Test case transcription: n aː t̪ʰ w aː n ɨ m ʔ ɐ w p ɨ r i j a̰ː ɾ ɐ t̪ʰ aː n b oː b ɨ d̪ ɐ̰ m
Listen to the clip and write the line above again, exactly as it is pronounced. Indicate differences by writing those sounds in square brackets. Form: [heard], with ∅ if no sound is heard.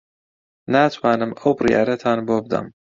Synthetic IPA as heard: n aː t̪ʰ w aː n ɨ m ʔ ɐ w [b] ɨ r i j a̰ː ɾ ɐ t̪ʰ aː n b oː b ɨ d̪ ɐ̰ m